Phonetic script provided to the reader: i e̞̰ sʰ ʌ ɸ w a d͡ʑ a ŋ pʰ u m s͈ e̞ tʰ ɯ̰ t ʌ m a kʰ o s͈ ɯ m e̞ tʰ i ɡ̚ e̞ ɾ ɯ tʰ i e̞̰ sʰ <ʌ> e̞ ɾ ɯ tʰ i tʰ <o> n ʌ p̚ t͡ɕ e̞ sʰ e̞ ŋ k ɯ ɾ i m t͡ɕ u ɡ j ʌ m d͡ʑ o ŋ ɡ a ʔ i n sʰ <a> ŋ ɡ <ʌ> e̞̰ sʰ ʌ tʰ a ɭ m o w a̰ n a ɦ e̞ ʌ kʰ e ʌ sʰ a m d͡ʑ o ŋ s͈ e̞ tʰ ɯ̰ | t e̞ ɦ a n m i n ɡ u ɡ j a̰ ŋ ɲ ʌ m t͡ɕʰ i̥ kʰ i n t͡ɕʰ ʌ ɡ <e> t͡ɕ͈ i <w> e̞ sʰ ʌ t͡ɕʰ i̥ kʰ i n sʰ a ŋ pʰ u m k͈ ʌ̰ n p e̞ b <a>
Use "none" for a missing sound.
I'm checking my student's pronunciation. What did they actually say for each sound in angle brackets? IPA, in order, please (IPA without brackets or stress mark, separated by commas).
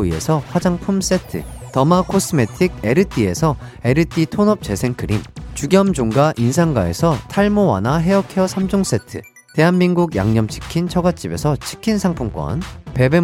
ʌ, o, a, a, a, b, e